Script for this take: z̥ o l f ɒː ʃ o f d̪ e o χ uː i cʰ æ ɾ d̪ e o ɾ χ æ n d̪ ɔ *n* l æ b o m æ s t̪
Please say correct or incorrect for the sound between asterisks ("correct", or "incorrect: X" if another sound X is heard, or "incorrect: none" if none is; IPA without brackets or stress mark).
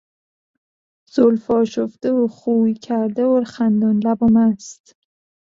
correct